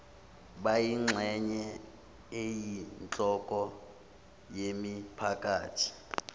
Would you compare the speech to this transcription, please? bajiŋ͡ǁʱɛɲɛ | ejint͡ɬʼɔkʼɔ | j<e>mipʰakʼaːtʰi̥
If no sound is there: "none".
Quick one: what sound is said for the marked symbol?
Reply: e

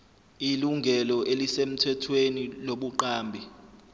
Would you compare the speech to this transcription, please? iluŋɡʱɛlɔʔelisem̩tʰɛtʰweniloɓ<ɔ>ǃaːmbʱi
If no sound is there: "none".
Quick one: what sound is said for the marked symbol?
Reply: u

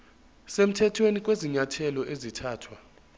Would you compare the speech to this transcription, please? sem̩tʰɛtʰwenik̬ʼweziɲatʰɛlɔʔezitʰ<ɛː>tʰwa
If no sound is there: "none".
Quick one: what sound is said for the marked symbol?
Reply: aː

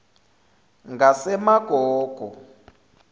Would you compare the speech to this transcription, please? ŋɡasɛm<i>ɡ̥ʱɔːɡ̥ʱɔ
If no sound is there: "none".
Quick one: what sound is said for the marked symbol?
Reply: a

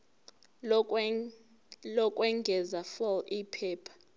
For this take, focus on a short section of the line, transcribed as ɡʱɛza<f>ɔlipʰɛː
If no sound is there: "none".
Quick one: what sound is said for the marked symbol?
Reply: f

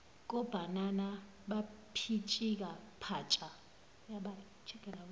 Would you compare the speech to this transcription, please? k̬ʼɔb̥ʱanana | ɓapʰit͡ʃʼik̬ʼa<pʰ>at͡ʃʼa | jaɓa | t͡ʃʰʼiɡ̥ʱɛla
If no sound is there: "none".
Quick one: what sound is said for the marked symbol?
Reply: pʰ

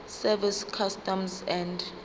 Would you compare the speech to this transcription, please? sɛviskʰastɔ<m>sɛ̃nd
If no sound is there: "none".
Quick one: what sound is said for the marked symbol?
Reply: m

